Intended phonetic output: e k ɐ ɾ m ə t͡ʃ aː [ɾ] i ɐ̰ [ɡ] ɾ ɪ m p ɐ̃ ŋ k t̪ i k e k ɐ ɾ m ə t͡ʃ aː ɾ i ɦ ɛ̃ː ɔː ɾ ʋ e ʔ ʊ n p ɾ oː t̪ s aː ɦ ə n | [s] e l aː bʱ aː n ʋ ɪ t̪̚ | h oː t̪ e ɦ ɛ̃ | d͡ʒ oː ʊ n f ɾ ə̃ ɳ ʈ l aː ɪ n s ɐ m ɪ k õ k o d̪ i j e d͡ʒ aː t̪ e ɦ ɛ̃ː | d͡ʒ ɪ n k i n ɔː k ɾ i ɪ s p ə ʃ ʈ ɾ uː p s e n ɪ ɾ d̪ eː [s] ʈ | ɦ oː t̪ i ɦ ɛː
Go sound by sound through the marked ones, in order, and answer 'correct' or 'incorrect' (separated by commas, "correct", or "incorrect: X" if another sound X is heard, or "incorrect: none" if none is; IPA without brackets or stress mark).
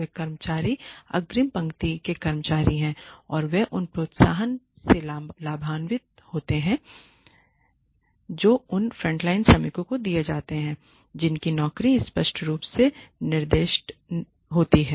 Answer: correct, correct, correct, incorrect: ʃ